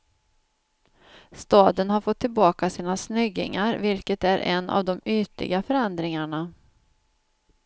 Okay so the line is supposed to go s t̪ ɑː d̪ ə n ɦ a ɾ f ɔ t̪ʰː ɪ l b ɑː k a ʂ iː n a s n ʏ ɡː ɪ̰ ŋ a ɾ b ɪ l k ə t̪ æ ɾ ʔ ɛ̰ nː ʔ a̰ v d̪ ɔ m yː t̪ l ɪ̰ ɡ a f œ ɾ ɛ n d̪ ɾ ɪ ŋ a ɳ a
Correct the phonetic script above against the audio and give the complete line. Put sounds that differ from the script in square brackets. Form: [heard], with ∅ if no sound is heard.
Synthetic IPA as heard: s t̪ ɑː d̪ ə n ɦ a ɾ f ɔ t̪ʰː ɪ l b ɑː k a [s] iː n a s n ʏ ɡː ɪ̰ ŋ a ɾ [v] ɪ l k ə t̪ æ ɾ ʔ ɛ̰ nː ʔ a̰ v d̪ ɔ m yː t̪ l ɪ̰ ɡ a f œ ɾ ɛ n d̪ ɾ ɪ ŋ a ɳ a